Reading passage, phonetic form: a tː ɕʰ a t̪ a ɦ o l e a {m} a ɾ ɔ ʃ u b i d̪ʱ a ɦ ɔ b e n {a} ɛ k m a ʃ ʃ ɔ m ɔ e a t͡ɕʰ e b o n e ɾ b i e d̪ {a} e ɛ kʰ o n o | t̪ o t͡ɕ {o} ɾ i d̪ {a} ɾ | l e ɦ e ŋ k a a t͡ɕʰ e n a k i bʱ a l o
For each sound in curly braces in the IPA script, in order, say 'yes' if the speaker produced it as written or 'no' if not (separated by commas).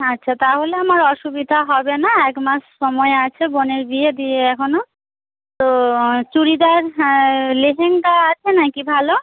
yes, yes, no, no, yes